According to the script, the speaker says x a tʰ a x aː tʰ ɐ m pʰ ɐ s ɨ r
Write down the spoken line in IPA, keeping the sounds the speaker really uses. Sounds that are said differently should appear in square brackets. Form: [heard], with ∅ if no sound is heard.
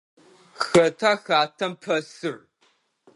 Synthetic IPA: x [ɐ] tʰ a x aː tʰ ɐ m pʰ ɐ s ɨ r